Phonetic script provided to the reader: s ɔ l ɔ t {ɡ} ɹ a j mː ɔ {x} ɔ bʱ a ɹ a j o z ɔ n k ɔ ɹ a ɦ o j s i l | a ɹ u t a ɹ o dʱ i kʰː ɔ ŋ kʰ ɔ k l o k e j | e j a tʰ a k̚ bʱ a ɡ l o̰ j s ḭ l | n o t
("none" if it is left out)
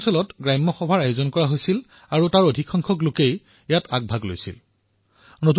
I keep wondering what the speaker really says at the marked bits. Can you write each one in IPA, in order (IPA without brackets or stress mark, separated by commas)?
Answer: ɡ, x